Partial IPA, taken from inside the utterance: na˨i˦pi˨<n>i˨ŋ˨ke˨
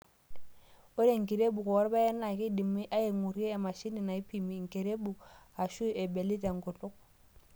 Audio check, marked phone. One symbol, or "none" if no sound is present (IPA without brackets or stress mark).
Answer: m